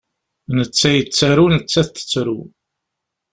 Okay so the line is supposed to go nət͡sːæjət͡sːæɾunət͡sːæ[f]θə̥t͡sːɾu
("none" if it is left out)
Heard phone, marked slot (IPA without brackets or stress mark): θ